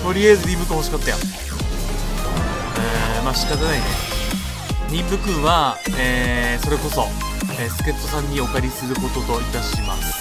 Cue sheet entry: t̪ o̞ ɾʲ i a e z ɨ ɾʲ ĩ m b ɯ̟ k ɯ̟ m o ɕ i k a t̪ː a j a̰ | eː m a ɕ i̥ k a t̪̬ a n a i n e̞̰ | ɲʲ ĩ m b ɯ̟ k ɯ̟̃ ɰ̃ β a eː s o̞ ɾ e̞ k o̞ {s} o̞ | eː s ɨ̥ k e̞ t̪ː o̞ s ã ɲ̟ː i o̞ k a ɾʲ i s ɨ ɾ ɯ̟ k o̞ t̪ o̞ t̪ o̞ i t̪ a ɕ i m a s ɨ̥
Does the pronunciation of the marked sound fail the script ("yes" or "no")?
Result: no